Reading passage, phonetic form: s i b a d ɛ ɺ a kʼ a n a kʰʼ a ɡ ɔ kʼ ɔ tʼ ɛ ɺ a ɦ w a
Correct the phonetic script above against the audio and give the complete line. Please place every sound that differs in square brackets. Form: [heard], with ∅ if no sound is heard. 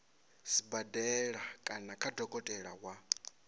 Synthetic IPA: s i b a d ɛ ɺ a kʼ a n a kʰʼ a [d] ɔ kʼ ɔ tʼ ɛ ɺ a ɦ w a